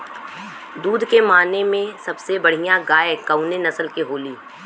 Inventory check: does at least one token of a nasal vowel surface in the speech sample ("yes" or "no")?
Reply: yes